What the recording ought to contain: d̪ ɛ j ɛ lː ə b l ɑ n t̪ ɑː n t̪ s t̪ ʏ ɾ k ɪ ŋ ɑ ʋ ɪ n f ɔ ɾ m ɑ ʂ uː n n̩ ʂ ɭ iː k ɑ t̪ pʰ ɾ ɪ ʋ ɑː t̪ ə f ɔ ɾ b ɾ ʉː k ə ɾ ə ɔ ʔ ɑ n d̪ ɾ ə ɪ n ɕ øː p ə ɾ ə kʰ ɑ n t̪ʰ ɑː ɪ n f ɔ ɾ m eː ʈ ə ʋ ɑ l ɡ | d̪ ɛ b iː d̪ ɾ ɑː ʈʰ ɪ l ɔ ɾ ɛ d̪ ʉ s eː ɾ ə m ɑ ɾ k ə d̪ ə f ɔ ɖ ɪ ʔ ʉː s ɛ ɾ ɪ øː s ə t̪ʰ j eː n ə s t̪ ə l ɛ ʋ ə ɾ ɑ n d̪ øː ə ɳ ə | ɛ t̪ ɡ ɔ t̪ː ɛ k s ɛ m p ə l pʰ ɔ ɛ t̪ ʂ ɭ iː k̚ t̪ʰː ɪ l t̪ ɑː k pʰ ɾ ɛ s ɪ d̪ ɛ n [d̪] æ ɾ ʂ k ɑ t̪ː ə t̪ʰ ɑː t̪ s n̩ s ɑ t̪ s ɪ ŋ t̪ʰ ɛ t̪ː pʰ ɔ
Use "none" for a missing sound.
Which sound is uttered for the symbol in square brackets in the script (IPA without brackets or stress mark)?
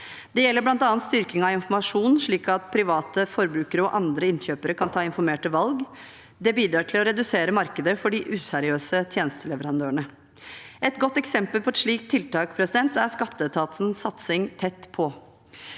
t̪